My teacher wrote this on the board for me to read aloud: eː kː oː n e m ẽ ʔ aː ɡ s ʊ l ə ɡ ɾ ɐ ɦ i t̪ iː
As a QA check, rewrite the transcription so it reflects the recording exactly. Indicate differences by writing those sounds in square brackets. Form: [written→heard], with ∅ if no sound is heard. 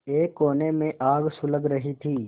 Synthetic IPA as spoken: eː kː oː n e m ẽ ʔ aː ɡ s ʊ l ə ɡ ɾ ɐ ɦ i [t̪→t̪ʰ] iː